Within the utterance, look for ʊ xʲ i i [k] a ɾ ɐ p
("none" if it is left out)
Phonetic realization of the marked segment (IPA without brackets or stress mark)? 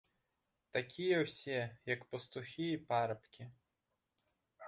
p